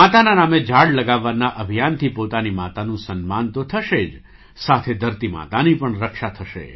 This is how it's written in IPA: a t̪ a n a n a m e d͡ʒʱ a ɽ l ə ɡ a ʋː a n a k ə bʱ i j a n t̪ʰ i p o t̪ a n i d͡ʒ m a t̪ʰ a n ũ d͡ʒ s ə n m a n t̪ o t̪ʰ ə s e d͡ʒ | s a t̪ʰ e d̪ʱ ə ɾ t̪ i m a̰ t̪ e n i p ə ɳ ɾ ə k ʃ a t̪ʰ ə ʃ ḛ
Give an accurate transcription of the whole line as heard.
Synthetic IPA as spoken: a t̪ a n a n a m e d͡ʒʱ a ɽ l ə ɡ a ʋː a n a ʔ ə bʱ i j a n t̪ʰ i p o t̪ a n i m a t̪ a n ũ s ə n m a n t̪ o t̪ʰ ə ʃ e d͡ʒ | s a t̪ʰ e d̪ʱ ə ɾ t̪ i m a̰ t̪ a n i p ə ɳ ɾ ə k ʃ a t̪ʰ ə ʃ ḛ

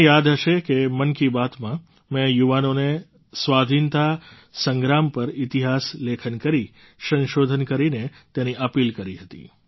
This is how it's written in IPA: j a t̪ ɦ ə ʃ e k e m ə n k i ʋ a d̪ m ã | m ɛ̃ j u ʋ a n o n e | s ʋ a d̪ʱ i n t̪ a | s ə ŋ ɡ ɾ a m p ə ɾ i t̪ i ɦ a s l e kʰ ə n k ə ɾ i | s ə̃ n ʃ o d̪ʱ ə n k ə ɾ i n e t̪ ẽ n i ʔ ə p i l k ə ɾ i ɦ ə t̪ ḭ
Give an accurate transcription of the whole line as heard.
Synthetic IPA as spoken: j a d̪ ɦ ə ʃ e k e m ə n k i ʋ a t̪ m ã | m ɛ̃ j u ʋ a n o n e | s ʋ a d̪ʱ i n t̪ a | s ə ŋ ɡ ɾ a m p ə ɾ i t̪ i ɦ a s l e kʰ ə n k ə ɾ i | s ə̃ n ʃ o d̪ʱ ə n k ə ɾ i n e t̪ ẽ n i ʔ ə p i l k ə ɾ i ɦ ə t̪ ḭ

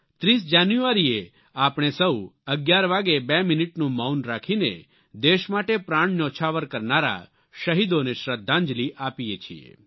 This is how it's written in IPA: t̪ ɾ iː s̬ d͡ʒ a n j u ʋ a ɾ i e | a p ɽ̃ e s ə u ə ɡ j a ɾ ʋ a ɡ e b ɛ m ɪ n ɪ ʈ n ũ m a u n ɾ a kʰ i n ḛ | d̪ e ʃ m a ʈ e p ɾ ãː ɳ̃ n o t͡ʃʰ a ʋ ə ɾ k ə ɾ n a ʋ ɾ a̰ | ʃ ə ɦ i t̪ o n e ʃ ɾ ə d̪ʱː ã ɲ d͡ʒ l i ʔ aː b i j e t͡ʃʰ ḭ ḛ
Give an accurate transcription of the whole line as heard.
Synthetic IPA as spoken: t̪ ɾ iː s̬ d͡ʒ a n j u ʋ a ɾ i e | a p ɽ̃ e s ə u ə ɡ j a ɾ ʋ a ɡ e b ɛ m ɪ n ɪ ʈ n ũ m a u n ɾ a kʰ i n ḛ | d̪ e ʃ m a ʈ e p ɾ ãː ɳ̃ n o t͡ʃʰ a ʋ ə ɾ k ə ɾ n a ɾ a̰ | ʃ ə ɦ i d̪ o n e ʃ ɾ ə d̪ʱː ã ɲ d͡ʒ l i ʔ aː p i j e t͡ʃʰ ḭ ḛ

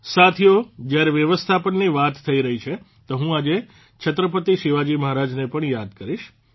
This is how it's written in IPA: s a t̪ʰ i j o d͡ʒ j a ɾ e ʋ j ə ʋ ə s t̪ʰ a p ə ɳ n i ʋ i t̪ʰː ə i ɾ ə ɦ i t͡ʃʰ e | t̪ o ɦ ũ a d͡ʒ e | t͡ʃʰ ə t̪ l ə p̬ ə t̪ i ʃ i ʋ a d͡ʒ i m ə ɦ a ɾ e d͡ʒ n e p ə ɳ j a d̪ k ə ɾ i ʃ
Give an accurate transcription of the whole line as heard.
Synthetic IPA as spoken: s a t̪ʰ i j o d͡ʒ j a ɾ e ʋ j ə ʋ ə s t̪ʰ a p ə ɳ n i ʋ a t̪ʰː ə i ɾ ə ɦ i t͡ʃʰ e | t̪ o ɦ ũ a d͡ʒ e | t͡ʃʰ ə t̪ ɾ ə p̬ ə t̪ i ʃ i ʋ a d͡ʒ i m ə ɦ a ɾ a d͡ʒ n e p ə ɳ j a d̪ k ə ɾ i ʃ

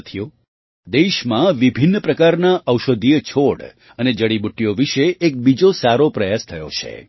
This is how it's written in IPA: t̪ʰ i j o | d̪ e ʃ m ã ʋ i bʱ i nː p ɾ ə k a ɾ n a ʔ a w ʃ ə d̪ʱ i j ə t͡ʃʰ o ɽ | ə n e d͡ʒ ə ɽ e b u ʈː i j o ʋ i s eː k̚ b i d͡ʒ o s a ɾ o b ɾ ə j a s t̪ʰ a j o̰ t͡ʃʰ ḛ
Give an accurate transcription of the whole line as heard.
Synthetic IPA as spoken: t̪ʰ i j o | d̪ e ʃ m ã ʋ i bʱ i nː p ɾ ə k a ɾ n a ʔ ə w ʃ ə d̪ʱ i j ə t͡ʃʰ o ɽ | ə n e d͡ʒ ə ɽ i b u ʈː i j o ʋ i ʃ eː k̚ b i d͡ʒ o s a ɾ o p ɾ ə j a s t̪ʰ ə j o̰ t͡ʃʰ ḛ

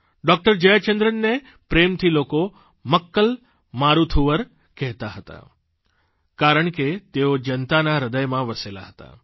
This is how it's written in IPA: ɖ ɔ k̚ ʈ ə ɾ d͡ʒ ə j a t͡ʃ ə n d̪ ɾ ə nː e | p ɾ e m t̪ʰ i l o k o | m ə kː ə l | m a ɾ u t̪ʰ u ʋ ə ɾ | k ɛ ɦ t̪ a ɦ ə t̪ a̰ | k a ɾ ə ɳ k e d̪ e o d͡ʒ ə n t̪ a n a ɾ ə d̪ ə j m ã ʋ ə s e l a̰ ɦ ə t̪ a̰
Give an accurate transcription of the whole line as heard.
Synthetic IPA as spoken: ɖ ɔ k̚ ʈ ə ɾ d͡ʒ ə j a t͡ʃ ə n d̪ ɾ ə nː e | p ɾ e m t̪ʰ i l o k o | m ə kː ə l | m a ɾ u t̪ʰ u ʋ ə ɾ | k ɛ ɦ t̪ a ɦ ə t̪ a̰ | k a ɾ ə ɳ k e t̪ e o d͡ʒ ə n t̪ a n a ɾ ə d̪ ə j m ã ʋ ə s e l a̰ ɦ ə t̪ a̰

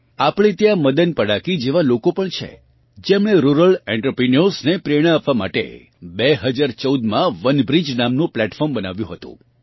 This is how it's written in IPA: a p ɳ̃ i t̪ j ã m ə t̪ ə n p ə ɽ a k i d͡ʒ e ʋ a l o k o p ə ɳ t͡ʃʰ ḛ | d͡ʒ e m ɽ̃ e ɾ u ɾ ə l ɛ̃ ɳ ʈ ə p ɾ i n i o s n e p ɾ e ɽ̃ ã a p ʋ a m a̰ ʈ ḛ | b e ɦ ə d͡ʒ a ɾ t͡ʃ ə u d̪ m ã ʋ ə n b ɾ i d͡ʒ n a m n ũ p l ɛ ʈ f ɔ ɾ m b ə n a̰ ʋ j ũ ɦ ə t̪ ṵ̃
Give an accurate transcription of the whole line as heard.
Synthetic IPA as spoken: a p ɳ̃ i t̪ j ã m ə d̪ ə n p ə ɽ a k i d͡ʒ e ʋ a l o k o p ə ɳ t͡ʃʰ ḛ | d͡ʒ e m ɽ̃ e ɾ u ɾ ə l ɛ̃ ɳ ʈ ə p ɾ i n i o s n e p ɾ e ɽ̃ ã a p ʋ a m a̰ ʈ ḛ | b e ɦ ə d͡ʒ a ɾ t͡ʃ ə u d̪ m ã ʋ ə n b ɾ i d͡ʒ n a m n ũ p l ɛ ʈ f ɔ ɾ m b ə n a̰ ʋ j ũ ɦ ə t̪ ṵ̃

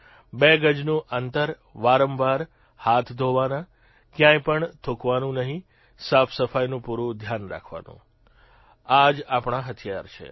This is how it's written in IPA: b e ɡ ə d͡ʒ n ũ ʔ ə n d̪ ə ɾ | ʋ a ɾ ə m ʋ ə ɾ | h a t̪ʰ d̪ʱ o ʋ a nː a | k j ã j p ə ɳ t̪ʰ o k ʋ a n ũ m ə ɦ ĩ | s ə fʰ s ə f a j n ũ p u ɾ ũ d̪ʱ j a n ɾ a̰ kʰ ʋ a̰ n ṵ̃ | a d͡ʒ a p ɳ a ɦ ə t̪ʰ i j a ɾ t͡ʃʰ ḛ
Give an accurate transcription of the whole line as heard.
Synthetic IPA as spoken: b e ɡ ə d͡ʒ n ũ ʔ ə n t̪ ə ɾ | ʋ a ɾ ə m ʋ a ɾ | h a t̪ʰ d̪ʱ o ʋ a n a | k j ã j p ə ɳ t̪ʰ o k ʋ a n ũ n ə ɦ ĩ | s a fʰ s ə f a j n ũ p u ɾ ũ d̪ʱ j a n ɾ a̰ kʰ ʋ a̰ n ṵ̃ | a d͡ʒ a p ɳ a ɦ ə t̪ʰ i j a ɾ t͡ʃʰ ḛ

